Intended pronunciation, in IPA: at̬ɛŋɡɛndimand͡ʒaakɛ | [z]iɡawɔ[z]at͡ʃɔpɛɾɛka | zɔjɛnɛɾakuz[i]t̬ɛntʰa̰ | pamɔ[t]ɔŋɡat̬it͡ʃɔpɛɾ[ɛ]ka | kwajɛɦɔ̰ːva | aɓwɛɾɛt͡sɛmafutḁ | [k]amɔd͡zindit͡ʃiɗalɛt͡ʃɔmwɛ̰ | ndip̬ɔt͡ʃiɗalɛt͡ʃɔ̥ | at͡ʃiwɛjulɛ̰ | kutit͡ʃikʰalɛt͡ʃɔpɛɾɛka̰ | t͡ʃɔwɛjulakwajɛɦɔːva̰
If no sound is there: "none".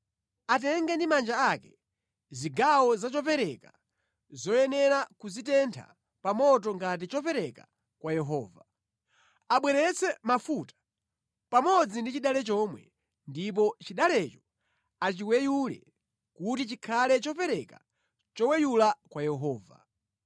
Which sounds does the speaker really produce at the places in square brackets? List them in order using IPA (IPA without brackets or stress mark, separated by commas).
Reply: z, z, i, t, ɛ, p